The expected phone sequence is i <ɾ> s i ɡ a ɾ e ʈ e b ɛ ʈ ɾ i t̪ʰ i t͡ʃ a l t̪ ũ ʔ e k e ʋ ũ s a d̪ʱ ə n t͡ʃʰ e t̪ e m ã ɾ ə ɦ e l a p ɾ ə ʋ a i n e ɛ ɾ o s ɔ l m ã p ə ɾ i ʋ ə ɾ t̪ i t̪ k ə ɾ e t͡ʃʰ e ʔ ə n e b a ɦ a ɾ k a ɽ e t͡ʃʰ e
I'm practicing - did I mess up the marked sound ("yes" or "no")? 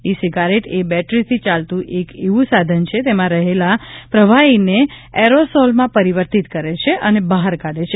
yes